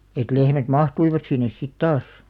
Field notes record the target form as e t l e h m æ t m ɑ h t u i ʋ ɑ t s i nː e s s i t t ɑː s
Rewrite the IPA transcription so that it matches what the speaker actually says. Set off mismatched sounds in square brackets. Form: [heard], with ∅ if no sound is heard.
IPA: e t l e h m æ t m ɑ h t u i ʋ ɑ t s i nː e s s i t t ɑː s